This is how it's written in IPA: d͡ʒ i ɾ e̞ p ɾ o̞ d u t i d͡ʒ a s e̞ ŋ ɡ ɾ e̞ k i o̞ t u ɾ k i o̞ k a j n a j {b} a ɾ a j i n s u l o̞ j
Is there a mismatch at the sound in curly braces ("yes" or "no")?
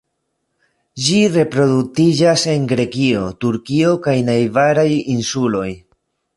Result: yes